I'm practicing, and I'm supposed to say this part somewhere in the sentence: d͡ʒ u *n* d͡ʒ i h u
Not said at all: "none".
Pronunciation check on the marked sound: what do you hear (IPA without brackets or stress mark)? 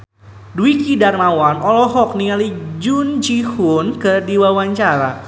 n